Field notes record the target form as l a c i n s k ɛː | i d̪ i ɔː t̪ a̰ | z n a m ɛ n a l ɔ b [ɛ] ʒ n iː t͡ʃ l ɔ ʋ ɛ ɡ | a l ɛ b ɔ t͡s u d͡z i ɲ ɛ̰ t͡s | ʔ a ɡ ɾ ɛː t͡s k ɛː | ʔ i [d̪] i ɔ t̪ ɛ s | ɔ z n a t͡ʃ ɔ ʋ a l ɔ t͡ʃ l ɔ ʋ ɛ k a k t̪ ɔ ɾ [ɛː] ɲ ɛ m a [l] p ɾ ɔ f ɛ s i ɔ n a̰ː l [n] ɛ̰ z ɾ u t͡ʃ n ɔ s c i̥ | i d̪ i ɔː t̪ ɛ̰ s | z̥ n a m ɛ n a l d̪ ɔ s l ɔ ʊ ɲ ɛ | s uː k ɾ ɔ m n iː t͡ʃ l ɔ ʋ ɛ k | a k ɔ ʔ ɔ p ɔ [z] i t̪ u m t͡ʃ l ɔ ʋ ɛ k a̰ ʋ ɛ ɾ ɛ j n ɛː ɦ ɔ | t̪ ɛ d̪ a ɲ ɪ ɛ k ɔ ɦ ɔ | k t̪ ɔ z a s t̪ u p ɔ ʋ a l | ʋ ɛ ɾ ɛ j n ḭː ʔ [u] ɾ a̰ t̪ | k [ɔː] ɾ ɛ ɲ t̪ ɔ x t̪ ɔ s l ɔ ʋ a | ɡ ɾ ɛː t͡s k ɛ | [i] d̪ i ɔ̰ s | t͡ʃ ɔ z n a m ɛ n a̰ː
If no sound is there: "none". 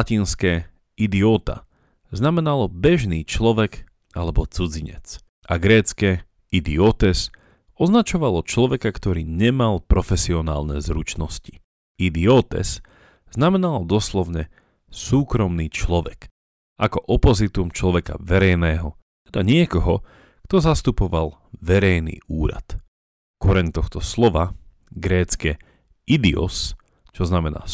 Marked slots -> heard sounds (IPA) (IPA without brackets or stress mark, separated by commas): ɛ, d̪, iː, l, n, z, uː, ɔ, i